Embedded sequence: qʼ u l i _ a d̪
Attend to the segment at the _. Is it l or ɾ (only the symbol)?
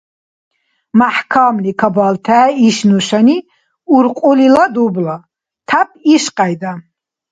l